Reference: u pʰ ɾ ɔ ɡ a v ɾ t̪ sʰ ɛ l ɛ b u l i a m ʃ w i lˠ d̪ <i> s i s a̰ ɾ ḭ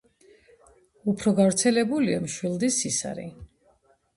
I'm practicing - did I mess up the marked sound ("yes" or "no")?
no